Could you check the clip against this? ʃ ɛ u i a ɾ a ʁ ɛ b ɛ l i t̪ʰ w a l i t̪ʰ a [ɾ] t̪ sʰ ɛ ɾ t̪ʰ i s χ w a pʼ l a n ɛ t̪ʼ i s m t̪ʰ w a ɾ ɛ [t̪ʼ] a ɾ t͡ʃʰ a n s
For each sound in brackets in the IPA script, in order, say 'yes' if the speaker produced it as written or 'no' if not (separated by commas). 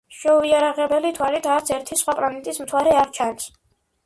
yes, no